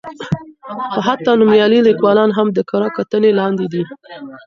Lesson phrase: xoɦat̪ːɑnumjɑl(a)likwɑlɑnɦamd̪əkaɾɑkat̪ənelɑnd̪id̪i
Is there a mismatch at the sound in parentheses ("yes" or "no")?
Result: yes